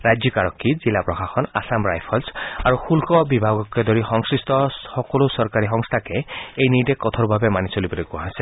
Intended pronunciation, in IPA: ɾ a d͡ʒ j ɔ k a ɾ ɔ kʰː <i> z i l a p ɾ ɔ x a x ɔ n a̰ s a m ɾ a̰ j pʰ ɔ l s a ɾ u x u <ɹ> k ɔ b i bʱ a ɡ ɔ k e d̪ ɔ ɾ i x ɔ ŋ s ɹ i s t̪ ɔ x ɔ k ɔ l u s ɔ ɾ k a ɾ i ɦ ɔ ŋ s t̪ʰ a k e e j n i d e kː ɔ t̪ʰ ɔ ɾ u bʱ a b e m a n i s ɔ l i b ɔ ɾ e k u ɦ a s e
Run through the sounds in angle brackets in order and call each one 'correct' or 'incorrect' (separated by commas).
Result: correct, incorrect